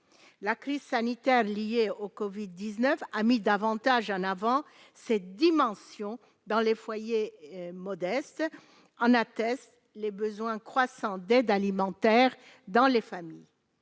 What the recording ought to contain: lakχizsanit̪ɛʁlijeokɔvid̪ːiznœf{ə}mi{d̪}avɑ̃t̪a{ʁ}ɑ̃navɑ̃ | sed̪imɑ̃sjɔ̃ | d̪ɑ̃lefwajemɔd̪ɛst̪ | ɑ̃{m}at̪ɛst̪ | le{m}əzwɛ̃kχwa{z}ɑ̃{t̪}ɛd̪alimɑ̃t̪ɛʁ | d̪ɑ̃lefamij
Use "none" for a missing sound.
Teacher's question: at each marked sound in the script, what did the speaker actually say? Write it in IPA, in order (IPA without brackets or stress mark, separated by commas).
a, d̪, ʒ, n, b, s, d̪